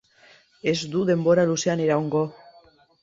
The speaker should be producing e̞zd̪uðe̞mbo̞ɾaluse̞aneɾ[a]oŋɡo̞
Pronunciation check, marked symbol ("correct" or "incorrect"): correct